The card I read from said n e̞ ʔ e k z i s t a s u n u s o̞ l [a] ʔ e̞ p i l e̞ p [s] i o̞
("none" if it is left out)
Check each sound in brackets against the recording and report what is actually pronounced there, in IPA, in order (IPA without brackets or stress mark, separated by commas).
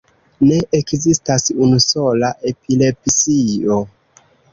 a, s